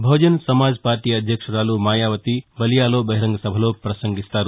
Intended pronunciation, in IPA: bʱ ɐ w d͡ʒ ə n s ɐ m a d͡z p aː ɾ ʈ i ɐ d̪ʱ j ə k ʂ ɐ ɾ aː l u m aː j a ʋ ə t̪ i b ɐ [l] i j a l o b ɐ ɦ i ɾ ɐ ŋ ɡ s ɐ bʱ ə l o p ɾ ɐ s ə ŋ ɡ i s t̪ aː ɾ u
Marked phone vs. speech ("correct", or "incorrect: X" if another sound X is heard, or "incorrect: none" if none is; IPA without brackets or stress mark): correct